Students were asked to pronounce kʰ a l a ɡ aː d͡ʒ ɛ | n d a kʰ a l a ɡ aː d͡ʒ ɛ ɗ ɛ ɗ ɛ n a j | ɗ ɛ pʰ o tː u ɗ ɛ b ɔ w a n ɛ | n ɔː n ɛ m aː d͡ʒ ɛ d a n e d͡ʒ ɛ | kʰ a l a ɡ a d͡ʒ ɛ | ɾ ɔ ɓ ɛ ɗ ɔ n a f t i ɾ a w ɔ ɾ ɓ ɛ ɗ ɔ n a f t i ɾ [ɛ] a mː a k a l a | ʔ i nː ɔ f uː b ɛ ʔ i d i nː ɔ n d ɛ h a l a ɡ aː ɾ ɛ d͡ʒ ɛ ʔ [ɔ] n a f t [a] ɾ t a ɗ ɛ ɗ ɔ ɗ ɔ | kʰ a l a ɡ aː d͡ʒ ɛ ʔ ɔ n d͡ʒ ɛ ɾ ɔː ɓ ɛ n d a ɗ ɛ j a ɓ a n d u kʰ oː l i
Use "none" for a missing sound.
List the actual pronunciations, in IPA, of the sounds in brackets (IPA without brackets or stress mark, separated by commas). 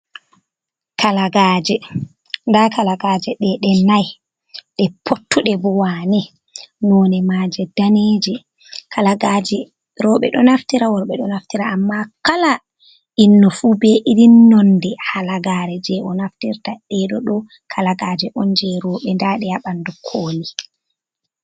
a, ɔ, i